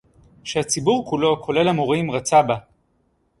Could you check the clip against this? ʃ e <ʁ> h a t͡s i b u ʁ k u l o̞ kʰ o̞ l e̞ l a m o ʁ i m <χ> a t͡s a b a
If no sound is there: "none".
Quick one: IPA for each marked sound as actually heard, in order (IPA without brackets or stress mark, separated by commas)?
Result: none, ʁ